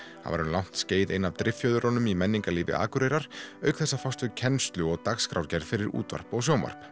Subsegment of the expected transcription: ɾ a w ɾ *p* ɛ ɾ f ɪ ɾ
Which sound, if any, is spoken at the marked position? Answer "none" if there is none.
c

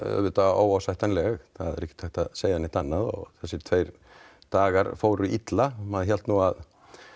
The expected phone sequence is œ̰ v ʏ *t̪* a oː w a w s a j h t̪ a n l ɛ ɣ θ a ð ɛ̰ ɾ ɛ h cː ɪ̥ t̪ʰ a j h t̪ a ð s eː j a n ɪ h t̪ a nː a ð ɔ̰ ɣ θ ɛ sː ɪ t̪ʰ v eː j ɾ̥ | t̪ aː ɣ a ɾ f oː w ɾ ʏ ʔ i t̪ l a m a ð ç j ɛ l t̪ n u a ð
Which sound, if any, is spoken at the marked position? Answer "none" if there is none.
t̪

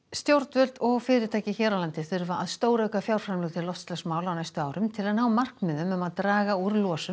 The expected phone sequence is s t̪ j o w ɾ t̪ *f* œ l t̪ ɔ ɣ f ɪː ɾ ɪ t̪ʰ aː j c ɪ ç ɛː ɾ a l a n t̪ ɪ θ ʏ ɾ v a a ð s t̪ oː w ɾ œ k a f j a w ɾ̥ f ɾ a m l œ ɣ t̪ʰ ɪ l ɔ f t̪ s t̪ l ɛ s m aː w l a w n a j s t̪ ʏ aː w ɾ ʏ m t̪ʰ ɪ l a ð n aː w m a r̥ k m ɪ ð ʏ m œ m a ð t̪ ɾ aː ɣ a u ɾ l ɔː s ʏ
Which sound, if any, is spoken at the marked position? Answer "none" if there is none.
v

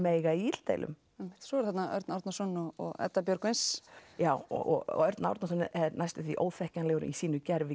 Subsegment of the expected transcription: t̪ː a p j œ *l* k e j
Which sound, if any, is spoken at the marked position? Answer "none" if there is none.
ɾ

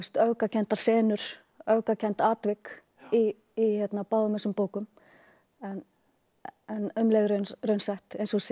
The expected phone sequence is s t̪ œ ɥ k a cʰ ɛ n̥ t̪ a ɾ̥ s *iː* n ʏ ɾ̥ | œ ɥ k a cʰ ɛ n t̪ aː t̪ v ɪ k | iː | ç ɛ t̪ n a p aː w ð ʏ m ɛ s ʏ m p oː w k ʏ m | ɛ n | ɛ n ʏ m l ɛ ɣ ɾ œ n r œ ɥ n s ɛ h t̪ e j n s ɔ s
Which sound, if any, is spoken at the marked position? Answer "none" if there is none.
ɛː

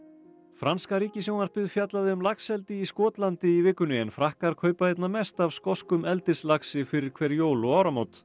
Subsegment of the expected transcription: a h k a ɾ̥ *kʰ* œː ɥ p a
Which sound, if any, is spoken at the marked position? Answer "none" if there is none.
kʰ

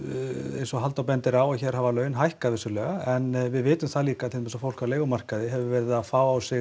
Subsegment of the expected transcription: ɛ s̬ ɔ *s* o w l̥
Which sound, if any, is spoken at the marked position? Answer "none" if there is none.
f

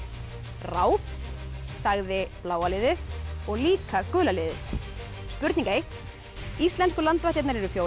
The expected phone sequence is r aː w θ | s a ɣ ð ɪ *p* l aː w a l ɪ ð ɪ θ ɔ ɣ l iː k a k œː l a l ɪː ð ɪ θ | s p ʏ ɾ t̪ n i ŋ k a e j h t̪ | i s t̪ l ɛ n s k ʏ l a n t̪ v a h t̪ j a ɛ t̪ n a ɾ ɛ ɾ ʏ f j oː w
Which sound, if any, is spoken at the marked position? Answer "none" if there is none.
p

